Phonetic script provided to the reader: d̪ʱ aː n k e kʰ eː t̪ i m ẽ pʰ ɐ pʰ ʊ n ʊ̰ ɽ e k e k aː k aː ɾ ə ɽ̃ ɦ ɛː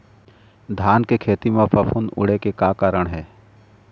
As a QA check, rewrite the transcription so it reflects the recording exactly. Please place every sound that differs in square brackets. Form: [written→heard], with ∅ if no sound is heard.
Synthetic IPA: d̪ʱ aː n k e kʰ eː t̪ i m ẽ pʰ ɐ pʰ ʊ n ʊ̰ ɽ e k e k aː k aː ɾ ə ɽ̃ ɦ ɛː